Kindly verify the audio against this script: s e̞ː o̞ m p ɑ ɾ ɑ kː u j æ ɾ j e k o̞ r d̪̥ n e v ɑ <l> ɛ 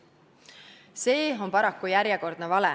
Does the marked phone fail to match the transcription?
no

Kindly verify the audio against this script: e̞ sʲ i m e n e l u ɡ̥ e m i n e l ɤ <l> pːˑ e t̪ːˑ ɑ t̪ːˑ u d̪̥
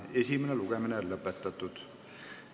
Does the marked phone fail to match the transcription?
yes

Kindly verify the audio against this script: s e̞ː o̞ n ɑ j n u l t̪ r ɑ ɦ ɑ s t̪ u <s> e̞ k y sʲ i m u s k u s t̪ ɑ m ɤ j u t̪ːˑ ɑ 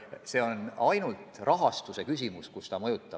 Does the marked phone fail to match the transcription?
no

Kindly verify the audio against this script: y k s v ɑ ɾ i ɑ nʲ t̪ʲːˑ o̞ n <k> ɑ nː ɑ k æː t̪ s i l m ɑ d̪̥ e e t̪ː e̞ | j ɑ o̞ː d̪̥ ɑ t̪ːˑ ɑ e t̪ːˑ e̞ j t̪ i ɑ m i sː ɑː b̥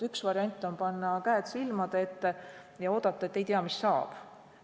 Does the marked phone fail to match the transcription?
yes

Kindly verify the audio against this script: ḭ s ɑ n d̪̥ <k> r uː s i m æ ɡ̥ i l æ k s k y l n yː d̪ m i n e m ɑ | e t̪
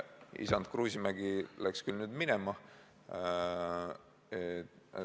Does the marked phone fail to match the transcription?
no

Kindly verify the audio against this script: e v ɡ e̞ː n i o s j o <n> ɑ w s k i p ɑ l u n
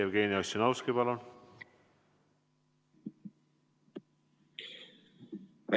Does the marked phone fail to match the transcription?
no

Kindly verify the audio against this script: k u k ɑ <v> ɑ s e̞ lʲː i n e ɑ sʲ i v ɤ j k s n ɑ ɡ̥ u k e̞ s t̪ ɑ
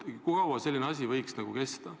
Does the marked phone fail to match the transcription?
yes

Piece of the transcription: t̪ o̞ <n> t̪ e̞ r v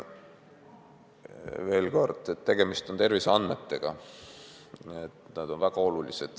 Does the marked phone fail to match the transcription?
no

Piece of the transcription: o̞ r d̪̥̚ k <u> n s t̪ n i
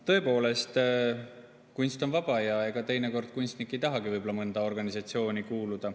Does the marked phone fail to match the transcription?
no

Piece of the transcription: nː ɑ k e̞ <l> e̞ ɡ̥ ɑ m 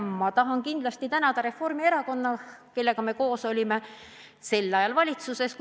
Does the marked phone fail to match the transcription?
yes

